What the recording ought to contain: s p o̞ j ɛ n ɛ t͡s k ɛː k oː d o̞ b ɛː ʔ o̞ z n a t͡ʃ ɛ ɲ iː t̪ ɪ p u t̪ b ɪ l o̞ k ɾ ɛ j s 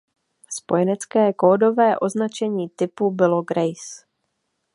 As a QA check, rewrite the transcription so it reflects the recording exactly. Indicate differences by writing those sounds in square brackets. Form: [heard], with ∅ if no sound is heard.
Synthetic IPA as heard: s p o̞ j ɛ n ɛ t͡s k ɛː k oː d o̞ [v] ɛː ʔ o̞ z n a t͡ʃ ɛ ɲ iː t̪ ɪ p u [∅] b ɪ l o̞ [ɡ] ɾ ɛ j s